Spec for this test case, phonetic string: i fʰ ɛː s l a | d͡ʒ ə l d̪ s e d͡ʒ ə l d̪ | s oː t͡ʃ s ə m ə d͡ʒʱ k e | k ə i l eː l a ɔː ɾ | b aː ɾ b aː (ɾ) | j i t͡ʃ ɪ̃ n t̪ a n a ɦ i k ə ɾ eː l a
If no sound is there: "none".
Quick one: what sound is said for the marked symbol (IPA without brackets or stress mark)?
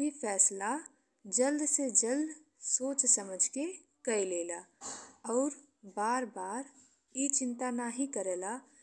ɾ